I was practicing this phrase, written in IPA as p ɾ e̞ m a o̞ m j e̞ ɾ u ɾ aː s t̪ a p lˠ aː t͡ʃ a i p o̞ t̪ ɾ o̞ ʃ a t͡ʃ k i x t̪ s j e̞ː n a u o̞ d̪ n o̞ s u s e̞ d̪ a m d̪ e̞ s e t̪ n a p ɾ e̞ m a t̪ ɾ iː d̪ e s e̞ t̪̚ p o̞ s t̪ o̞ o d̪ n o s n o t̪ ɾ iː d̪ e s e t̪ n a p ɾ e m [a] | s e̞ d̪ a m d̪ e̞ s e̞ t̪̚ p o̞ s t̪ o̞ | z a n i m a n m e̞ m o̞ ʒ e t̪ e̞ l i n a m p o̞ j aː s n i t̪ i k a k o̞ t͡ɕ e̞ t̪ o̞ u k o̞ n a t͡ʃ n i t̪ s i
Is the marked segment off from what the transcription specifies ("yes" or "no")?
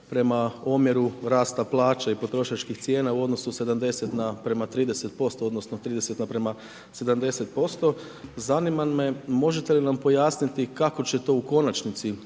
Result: no